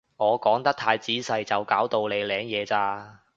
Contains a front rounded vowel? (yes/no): no